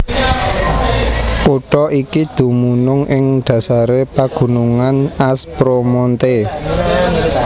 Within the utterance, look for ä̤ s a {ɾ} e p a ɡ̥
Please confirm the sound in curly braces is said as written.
yes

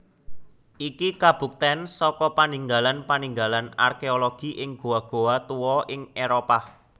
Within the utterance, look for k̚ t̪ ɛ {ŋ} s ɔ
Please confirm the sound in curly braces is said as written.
no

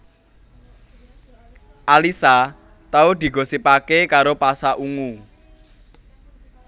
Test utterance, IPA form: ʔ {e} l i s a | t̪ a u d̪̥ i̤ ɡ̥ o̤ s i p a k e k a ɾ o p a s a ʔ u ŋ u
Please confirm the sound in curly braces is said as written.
no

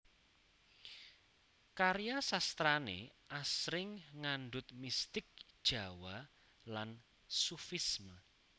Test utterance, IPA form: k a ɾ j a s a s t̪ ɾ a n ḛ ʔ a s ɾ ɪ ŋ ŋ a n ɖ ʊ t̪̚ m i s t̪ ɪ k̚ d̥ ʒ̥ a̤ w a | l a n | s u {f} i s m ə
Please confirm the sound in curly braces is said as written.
yes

